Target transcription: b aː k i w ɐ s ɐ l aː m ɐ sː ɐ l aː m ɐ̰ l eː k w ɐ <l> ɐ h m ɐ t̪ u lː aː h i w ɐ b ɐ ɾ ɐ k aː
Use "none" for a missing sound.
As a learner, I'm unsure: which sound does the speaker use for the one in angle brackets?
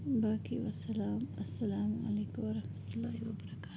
ɾ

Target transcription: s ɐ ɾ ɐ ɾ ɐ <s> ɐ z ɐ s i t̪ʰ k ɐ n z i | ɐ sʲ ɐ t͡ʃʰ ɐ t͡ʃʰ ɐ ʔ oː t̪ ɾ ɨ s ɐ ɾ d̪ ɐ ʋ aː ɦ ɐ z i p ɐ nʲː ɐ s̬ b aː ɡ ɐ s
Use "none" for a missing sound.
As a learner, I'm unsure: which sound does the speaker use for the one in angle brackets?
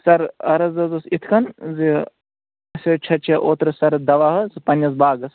z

